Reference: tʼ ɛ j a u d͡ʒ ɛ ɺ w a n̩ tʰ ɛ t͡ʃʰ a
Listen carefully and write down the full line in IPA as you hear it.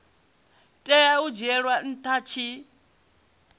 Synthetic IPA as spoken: tʼ ɛ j a u d͡ʒ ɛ ɺ w a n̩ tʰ a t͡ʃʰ i

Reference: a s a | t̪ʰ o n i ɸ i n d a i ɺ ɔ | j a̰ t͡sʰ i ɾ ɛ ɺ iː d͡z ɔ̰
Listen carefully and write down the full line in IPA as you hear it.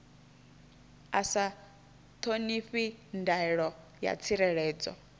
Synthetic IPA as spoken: a s a | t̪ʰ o n i ɸ i n d a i ɺ ɔ | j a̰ t͡sʰ i ɾ ɛ ɺ ɛː d͡z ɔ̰

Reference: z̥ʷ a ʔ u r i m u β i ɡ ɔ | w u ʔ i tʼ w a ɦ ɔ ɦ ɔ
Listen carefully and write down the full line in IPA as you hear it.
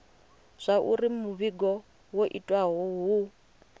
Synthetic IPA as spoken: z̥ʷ a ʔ u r i m u β i ɡ ɔ | w o ʔ i tʼ w a ɦ ɔ ɦ u

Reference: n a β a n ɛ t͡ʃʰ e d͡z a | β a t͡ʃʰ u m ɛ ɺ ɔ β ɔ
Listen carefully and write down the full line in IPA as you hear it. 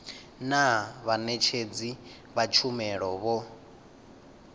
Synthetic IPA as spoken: n a β a n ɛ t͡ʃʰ e d͡z i | β a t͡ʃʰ u m ɛ ɺ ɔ β ɔ

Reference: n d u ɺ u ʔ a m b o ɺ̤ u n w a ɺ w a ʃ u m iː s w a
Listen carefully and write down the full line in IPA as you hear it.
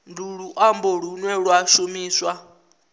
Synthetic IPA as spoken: n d u ɺ u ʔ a m b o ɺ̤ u n w ɛ ɺ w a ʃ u m iː s w a

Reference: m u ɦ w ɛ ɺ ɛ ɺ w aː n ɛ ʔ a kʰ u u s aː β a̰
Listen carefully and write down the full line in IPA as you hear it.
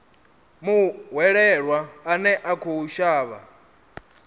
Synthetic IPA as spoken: m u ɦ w ɛ ɺ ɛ ɺ w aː n ɛ ʔ a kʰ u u ʃ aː β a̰

